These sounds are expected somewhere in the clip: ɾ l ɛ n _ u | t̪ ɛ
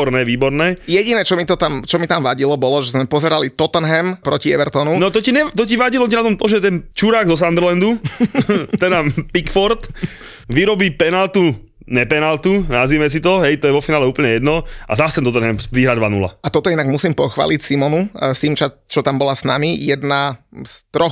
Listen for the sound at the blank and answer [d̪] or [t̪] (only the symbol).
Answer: d̪